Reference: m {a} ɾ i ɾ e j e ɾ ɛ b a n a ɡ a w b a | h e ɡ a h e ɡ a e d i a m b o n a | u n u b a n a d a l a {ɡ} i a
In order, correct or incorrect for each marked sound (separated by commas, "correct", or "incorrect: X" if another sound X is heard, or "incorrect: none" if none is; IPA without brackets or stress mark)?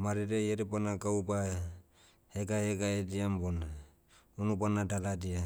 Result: correct, incorrect: d